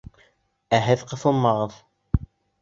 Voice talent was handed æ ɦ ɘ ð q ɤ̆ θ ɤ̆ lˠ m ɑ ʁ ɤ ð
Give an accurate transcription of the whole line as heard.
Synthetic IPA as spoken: æ ɦ ɘ ð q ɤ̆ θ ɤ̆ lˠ m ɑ ʁ ɤ ð